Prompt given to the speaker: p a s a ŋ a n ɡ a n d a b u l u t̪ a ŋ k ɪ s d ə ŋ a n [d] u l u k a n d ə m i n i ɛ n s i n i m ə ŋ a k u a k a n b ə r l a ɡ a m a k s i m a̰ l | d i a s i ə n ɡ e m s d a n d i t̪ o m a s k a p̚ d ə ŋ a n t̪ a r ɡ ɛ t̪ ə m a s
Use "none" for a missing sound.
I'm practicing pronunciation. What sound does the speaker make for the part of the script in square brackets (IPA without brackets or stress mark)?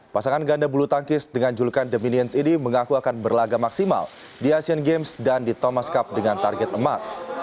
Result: d͡ʒ